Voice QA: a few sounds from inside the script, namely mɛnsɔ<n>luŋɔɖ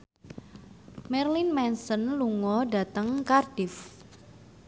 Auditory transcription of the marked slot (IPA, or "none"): n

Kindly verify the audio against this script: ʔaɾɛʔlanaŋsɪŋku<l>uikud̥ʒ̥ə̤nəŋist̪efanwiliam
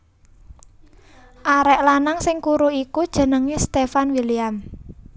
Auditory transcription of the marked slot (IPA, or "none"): ɾ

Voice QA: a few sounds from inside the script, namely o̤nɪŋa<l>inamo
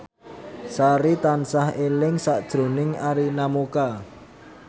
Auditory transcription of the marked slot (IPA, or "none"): ɾ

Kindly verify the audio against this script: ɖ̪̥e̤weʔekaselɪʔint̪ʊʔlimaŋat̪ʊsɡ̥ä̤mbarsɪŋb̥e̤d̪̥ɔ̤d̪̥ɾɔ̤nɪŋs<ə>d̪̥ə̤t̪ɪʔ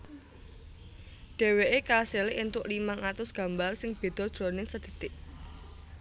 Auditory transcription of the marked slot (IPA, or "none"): ə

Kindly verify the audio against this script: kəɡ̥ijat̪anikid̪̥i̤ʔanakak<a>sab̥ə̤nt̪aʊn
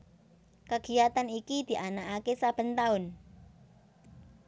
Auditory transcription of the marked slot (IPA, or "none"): e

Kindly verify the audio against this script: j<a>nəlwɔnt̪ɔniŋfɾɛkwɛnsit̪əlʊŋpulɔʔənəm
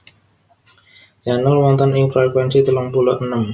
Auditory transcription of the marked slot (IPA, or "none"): a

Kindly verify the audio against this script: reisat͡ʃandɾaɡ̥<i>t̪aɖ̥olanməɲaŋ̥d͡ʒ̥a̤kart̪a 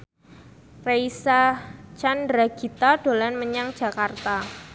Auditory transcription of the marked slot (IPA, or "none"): i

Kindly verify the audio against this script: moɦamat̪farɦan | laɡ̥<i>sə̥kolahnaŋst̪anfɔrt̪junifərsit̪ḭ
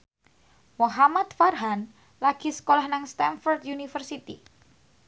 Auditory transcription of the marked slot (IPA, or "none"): i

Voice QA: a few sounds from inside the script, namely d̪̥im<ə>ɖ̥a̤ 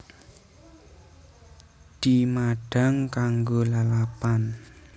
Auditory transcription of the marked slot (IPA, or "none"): a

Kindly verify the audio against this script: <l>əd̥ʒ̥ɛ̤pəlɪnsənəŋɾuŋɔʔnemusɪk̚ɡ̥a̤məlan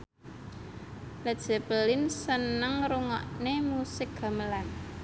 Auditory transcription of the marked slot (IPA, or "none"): l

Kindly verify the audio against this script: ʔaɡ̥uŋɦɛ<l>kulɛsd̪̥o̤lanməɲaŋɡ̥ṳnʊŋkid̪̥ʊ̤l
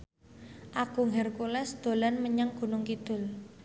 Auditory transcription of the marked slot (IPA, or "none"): r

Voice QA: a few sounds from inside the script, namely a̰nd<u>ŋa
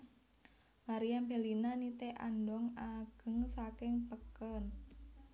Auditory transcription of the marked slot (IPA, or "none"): ɔ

